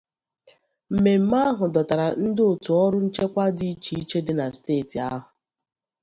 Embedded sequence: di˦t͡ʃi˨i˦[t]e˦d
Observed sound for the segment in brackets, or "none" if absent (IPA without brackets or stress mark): t͡ʃ